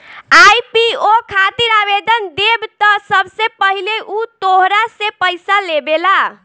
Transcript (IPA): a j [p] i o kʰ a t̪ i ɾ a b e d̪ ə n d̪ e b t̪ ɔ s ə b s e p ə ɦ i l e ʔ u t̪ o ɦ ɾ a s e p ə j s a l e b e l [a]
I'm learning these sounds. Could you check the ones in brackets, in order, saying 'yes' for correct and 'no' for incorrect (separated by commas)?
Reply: yes, yes